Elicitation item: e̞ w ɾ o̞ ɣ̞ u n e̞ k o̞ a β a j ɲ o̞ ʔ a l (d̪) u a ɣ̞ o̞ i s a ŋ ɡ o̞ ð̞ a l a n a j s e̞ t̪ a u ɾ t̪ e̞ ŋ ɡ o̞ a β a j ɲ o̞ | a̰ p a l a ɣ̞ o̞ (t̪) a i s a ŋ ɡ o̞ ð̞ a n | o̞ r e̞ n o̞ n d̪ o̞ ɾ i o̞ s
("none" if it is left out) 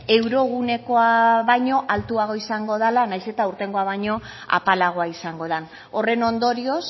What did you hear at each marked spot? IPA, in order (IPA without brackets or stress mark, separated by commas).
t̪, none